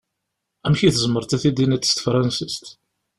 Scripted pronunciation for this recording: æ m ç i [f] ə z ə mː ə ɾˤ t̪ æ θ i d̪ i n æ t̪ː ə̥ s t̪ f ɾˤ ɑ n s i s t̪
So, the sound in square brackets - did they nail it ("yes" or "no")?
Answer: no